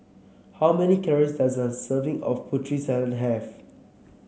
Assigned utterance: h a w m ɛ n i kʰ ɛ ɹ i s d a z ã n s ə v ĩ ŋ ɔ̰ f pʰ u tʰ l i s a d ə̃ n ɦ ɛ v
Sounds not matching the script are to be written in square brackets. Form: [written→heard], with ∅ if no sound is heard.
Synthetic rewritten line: h a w m ɛ n i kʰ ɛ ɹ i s d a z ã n s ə v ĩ ŋ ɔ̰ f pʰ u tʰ [l→ɹ] i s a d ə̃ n ɦ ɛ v

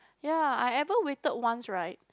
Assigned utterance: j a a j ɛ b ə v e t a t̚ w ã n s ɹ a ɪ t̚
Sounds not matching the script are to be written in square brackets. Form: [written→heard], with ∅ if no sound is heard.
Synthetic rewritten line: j a a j ɛ [b→v] ə [v→w] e t [a→ə] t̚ w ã n s ɹ a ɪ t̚

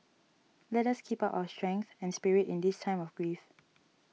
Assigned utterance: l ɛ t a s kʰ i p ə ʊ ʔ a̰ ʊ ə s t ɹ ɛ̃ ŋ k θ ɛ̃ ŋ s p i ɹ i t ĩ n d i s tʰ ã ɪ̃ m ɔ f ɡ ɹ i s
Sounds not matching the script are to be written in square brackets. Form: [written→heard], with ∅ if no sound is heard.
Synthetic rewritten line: l ɛ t a s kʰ i p [ə→a] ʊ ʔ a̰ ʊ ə s t ɹ ɛ̃ ŋ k θ ɛ̃ [ŋ→n] s p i ɹ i t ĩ n d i s tʰ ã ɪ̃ m ɔ f ɡ ɹ i [s→f]

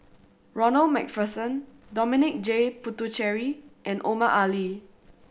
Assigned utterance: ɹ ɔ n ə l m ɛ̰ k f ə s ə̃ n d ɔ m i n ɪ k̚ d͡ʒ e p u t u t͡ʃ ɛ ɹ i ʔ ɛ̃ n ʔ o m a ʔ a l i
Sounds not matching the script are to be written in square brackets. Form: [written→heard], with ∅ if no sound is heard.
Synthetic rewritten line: ɹ ɔ n ə l m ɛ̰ k f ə s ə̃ n d ɔ m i n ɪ k̚ d͡ʒ e p u t u t͡ʃ ɛ ɹ i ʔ ɛ̃ n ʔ o m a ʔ a l i

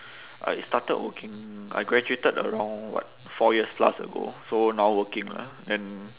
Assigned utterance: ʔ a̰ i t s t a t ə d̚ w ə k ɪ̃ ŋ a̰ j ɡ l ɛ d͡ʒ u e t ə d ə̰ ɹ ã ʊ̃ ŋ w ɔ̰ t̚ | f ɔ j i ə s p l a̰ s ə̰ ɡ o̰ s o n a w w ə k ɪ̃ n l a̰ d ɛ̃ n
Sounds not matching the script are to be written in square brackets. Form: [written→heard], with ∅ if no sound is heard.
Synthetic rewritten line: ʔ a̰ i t s t a t ə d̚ w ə k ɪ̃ ŋ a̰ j ɡ [l→ɹ] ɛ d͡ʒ u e t ə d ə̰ ɹ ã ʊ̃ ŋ w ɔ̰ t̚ | f ɔ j i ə s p l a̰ s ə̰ ɡ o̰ s o n a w w ə k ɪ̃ [n→ŋ] l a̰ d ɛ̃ n

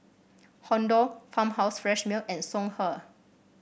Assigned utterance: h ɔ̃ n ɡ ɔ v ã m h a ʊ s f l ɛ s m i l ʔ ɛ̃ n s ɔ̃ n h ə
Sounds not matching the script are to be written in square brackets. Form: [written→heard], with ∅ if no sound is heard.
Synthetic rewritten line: h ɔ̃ n [ɡ→d] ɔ [v→f] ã m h a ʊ s f [l→ɹ] ɛ [s→ʃ] m i l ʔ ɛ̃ n s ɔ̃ [n→ŋ] h ə

